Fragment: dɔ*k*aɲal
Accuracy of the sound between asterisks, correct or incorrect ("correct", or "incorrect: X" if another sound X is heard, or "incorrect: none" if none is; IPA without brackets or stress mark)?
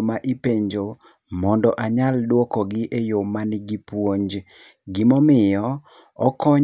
incorrect: ʔ